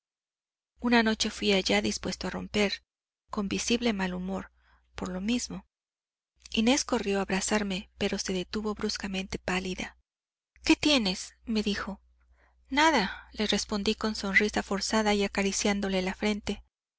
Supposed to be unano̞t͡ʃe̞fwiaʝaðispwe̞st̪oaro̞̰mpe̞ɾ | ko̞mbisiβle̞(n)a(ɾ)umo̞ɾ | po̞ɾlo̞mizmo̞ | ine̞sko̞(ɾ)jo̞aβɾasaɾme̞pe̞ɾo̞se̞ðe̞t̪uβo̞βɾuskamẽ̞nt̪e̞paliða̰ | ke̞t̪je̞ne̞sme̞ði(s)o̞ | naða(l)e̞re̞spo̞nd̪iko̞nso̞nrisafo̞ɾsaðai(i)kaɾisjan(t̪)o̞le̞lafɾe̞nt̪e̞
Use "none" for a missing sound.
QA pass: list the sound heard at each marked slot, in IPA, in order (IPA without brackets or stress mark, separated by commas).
m, l, r, x, l, a, d̪